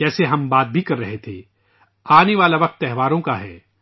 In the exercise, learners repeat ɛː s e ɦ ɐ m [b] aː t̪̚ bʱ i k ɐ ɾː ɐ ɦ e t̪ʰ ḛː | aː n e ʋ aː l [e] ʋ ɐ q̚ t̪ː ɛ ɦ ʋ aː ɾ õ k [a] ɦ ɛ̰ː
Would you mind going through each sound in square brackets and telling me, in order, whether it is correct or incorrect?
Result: correct, incorrect, correct

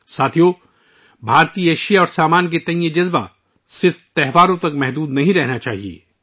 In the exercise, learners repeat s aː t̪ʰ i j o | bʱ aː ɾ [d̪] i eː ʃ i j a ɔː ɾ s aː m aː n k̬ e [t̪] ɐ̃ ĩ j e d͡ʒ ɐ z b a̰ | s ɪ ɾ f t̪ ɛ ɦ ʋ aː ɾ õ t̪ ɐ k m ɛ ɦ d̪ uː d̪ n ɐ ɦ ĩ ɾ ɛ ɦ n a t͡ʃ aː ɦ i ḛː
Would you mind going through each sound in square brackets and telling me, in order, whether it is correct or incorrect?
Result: incorrect, correct

